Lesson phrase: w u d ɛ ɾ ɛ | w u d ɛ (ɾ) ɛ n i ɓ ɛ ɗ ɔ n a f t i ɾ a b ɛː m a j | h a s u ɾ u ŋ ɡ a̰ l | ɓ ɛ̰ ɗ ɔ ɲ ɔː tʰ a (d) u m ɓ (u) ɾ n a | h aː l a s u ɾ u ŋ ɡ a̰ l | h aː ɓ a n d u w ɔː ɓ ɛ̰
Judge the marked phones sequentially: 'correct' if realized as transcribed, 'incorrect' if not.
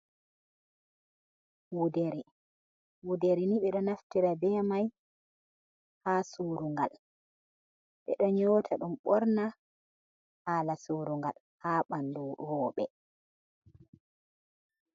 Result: correct, incorrect, incorrect

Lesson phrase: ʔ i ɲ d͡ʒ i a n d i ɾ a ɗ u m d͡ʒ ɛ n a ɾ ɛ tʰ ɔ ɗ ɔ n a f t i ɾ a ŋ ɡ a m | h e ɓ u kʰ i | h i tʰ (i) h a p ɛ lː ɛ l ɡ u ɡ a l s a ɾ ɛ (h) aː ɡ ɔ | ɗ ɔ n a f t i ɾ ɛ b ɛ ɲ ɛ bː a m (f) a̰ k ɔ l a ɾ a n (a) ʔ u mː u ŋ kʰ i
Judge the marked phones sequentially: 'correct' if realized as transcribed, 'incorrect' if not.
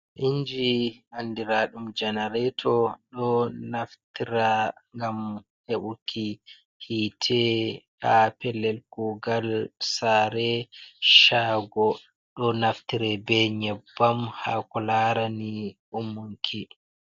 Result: incorrect, incorrect, incorrect, incorrect

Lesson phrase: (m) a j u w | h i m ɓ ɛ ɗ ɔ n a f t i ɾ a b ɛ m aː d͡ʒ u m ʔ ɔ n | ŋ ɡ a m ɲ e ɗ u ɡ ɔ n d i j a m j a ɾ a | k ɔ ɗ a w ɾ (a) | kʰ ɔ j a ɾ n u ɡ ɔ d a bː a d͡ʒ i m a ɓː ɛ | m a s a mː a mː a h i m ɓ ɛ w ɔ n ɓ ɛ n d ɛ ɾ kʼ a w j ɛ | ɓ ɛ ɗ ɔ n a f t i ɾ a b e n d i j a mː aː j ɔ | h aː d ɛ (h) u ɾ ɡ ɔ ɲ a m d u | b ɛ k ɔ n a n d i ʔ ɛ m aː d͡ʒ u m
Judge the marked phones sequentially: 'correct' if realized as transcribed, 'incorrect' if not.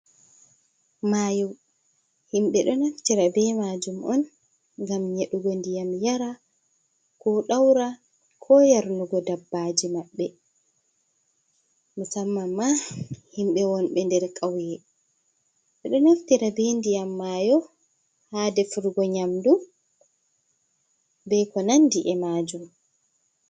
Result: correct, correct, incorrect

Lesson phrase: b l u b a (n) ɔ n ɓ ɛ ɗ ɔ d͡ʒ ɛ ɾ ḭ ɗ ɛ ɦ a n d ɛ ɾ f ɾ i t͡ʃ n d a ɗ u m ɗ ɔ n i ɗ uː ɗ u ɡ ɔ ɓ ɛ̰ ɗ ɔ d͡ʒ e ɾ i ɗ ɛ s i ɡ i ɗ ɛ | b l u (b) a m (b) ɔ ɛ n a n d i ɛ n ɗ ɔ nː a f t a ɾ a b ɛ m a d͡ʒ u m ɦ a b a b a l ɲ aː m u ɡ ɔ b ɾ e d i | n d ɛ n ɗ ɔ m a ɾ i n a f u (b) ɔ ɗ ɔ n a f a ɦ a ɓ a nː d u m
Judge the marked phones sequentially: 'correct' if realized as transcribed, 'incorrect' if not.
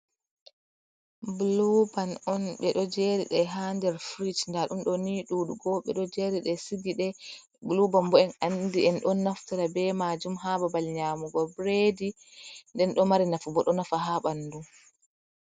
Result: correct, correct, correct, correct

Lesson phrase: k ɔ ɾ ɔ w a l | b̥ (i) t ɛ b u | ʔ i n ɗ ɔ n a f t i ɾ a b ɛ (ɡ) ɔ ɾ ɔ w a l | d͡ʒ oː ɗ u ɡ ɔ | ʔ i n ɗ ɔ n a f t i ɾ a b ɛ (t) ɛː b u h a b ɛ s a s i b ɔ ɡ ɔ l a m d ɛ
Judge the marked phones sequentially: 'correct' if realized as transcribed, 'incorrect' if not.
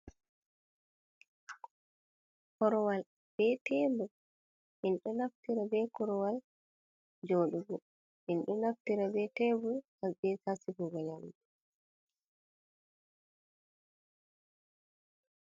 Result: incorrect, incorrect, correct

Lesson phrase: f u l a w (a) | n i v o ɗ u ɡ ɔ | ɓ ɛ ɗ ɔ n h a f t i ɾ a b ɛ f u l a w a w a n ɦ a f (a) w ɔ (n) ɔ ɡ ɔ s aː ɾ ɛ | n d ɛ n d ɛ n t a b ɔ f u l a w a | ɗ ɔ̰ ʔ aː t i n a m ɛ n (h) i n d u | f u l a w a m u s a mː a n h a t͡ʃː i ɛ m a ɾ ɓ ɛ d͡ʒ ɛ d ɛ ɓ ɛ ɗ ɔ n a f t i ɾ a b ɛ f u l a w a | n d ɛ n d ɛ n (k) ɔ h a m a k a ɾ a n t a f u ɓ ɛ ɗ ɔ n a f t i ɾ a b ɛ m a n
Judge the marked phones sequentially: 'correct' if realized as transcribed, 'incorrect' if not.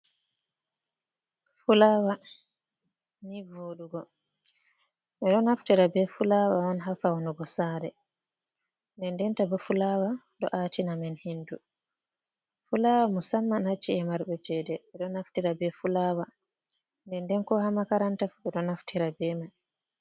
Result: correct, correct, correct, correct, correct

